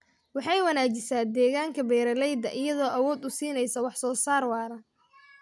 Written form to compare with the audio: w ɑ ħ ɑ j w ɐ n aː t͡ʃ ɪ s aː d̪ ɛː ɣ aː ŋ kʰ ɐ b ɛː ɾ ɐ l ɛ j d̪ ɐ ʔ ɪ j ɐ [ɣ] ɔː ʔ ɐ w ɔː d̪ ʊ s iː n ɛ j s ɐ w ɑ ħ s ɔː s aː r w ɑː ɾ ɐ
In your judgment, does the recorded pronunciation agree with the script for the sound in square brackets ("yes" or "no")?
no